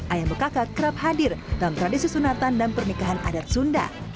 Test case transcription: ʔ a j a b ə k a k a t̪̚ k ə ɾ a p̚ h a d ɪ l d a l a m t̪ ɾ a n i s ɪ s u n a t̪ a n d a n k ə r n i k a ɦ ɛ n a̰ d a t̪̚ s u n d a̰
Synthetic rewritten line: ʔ a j a b ə k a k a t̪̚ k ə ɾ a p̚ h a d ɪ r d a l a m t̪ ɾ a d i s i s u n a t̪ a n d a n p ə r n i k a ɦ a n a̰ d a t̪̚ s u n d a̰